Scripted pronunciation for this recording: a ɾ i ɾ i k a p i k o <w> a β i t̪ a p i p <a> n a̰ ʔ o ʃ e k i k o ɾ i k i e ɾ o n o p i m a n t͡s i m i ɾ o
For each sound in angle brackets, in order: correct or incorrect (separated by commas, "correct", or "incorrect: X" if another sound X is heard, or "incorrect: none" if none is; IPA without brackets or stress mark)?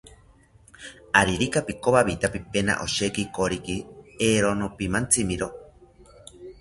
incorrect: β, incorrect: e